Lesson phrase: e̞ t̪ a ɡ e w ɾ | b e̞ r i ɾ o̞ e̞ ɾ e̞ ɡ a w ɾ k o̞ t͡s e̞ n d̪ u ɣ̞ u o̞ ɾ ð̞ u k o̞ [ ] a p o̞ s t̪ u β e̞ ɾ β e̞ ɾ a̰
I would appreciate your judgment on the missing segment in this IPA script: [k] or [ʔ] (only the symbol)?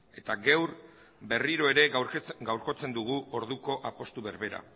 ʔ